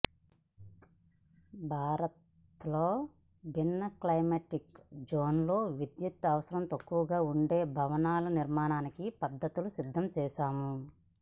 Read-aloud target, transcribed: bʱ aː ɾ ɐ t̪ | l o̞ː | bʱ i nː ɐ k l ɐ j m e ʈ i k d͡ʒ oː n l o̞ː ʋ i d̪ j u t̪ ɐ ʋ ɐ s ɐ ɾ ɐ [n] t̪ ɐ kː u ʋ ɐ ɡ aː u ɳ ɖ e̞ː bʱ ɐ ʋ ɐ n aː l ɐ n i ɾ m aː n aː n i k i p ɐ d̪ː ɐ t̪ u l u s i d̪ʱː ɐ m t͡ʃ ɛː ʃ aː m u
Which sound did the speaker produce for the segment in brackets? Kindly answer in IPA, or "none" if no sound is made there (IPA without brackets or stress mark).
m